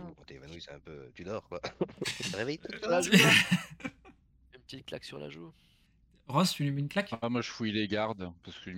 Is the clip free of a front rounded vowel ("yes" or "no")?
no